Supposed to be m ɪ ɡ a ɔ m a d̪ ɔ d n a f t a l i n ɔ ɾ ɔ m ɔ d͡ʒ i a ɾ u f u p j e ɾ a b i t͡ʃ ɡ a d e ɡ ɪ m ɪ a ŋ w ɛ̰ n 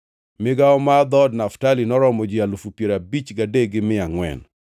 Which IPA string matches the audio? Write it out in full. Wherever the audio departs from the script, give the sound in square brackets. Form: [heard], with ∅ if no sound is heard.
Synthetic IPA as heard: m ɪ ɡ a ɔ m a d̪ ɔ d n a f t a l i n ɔ ɾ ɔ m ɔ d͡ʒ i a [l] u f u p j e ɾ a b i t͡ʃ ɡ a d e ɡ ɪ m ɪ a ŋ w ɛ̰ n